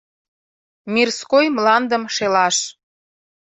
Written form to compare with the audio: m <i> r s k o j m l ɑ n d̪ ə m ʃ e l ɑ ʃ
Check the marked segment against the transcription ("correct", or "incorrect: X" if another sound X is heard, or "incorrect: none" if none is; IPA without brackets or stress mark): correct